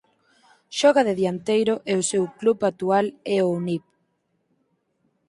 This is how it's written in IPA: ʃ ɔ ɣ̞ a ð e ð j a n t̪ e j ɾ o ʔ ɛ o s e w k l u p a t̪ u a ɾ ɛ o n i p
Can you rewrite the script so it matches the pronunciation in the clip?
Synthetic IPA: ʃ ɔ ɣ̞ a ð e ð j a n t̪ e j ɾ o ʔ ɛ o s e w k l u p a t̪ u a l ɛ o n i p